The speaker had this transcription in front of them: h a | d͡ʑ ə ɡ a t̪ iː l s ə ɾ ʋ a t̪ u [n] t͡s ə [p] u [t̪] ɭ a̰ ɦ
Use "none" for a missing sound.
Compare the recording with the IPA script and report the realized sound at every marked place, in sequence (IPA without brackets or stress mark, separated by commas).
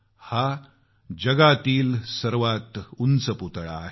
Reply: n, p, t̪